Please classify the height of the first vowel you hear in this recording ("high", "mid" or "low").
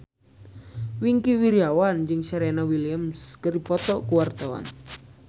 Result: high